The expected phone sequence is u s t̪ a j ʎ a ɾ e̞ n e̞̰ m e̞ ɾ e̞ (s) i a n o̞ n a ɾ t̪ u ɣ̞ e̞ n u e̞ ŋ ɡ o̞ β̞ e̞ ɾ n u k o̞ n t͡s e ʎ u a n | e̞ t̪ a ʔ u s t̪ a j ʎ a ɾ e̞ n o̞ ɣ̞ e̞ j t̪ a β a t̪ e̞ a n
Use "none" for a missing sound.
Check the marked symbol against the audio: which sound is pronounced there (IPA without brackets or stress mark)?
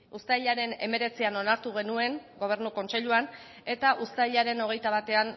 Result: t͡s